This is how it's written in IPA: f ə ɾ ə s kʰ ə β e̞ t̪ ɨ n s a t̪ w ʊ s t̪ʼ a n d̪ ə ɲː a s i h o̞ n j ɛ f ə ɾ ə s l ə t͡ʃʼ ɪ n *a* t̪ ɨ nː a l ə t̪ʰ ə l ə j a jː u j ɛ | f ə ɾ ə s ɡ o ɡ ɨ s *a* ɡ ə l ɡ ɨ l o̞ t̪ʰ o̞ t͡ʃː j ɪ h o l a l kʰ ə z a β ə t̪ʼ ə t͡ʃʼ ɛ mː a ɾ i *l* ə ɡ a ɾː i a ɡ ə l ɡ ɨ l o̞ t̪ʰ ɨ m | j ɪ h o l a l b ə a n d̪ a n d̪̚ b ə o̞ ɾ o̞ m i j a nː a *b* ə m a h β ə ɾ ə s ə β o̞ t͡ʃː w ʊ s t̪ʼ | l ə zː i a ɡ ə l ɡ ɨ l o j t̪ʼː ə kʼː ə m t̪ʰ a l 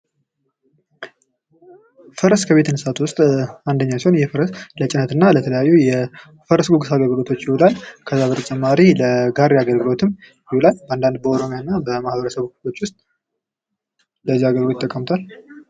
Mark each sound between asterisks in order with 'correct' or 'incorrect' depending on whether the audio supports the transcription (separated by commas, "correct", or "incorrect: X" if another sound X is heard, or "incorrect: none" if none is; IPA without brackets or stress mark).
incorrect: ə, correct, correct, correct